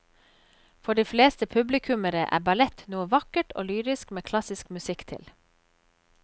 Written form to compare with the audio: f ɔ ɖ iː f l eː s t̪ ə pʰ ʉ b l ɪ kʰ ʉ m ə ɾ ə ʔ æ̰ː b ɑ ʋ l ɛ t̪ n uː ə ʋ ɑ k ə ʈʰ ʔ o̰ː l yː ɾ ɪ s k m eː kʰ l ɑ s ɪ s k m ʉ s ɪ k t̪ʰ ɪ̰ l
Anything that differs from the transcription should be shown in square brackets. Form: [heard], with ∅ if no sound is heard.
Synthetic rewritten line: f ɔ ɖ iː f l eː s t̪ ə pʰ ʉ b l ɪ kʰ ʉ m ə ɾ ə ʔ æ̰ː b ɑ [∅] l ɛ t̪ n uː ə ʋ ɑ k ə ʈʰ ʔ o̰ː l yː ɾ ɪ s k m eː kʰ l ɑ s ɪ s k m ʉ s ɪ k t̪ʰ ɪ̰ l

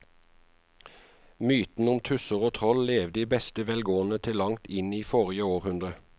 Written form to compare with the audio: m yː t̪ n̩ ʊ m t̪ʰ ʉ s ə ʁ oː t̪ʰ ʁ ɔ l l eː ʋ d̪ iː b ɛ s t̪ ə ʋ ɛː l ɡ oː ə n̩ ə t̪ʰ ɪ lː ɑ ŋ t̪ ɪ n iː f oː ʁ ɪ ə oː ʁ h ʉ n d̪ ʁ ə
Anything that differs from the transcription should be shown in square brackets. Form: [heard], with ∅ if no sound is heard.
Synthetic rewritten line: m yː t̪ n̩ ʊ m t̪ʰ ʉ s ə ʁ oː t̪ʰ ʁ ɔ l l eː ʋ d̪ iː b ɛ s t̪ ə ʋ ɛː l ɡ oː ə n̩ ə t̪ʰ ɪ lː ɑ ŋ t̪ ɪ n iː f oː ʁ ɪ ə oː ʁ h ʉ n d̪ ʁ ə

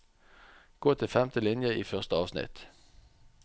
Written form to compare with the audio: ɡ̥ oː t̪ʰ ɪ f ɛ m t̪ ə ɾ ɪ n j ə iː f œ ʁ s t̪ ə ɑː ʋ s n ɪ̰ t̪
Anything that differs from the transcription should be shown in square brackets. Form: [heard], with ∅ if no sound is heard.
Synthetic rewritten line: ɡ̥ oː t̪ʰ ɪ f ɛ m t̪ ə [l] ɪ n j ə iː f œ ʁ s t̪ ə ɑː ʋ s n ɪ̰ t̪

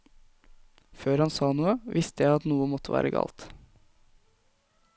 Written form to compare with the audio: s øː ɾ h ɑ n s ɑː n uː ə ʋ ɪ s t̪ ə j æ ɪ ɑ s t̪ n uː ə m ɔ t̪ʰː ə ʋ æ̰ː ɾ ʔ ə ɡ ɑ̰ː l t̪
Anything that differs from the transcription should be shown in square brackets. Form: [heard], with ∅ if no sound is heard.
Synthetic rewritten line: [f] øː ɾ h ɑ n s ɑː n uː ə ʋ ɪ s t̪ ə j æ ɪ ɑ [∅] t̪ n uː ə m ɔ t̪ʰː ə ʋ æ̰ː ɾ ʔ ə ɡ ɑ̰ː l t̪

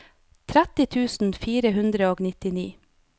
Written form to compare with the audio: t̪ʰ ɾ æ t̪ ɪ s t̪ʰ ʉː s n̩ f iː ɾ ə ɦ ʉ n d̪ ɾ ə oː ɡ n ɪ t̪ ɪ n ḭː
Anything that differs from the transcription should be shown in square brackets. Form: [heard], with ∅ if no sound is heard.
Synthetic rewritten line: t̪ʰ ɾ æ t̪ ɪ [∅] t̪ʰ ʉː s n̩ f iː ɾ ə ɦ ʉ n d̪ ɾ ə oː ɡ n ɪ t̪ ɪ n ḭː

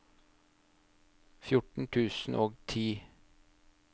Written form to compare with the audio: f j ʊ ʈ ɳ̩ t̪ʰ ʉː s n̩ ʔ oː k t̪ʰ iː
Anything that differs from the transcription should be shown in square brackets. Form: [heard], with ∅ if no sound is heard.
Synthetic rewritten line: f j ʊ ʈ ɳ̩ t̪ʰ ʉː s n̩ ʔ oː [ɡ] t̪ʰ iː

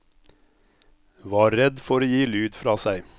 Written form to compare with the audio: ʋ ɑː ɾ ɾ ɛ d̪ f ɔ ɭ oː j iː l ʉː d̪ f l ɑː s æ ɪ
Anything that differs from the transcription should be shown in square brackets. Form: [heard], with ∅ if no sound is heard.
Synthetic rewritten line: ʋ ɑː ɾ ɾ ɛ d̪ f ɔ [ɾ] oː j iː l ʉː d̪ f [ɾ] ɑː s æ ɪ

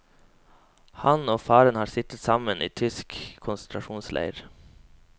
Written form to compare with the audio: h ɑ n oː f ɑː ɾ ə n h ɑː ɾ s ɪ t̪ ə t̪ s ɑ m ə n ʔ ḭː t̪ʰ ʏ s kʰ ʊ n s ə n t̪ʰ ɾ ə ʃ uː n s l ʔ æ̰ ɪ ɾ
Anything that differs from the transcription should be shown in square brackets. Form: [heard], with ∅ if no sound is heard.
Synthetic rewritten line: h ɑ n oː f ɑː ɾ ə n h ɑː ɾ s ɪ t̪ ə t̪ s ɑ m ə n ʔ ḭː t̪ʰ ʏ s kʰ ʊ n s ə n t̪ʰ ɾ [ɑ] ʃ uː n s l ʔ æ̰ ɪ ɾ

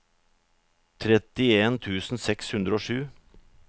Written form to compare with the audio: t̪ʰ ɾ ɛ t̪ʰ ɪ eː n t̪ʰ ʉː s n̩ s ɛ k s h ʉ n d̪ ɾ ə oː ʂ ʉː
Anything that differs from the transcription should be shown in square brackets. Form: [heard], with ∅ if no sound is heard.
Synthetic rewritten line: t̪ʰ ɾ ɛ [t̪] ɪ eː n t̪ʰ ʉː s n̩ s ɛ k s h ʉ n d̪ ɾ ə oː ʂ ʉː

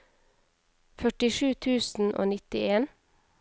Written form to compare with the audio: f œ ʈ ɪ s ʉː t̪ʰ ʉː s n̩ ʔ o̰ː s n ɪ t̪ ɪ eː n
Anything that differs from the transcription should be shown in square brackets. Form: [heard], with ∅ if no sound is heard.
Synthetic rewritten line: f œ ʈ ɪ [ʃ] ʉː t̪ʰ ʉː s n̩ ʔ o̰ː [∅] n ɪ t̪ ɪ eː n

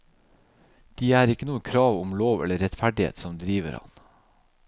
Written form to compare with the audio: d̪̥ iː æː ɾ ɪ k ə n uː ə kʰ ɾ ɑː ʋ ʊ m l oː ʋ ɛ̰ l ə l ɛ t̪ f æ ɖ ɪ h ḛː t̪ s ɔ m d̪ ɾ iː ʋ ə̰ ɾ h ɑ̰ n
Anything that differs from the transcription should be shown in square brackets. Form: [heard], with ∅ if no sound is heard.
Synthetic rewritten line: d̪̥ iː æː ɾ ɪ k ə n uː ə kʰ ɾ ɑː ʋ ʊ m l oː ʋ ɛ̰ l ə [ɾ] ɛ t̪ f æ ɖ ɪ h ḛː t̪ s ɔ m d̪ ɾ iː ʋ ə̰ ɾ h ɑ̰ n

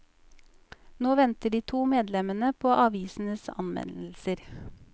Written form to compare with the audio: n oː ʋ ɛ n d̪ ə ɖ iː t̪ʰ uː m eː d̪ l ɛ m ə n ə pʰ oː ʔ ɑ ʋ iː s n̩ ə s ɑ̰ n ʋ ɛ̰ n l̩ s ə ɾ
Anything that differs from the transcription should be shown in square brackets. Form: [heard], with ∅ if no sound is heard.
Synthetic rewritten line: n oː ʋ ɛ n [t̪] ə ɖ iː t̪ʰ uː m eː d̪ l ɛ m ə n ə pʰ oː ʔ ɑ ʋ iː s n̩ ə s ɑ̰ n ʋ ɛ̰ n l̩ s ə ɾ

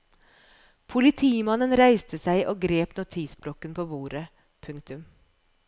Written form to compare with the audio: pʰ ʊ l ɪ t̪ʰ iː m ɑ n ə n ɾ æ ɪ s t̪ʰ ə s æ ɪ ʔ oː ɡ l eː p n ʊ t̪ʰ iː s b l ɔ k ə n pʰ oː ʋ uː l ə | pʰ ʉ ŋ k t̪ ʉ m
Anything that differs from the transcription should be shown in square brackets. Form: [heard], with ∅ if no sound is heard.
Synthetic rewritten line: pʰ ʊ l ɪ t̪ʰ iː m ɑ n ə n ɾ æ ɪ s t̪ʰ ə s æ ɪ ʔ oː ɡ [ɾ] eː p n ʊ t̪ʰ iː s b l ɔ k ə n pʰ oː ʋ uː [ɾ] ə | pʰ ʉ ŋ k t̪ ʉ m

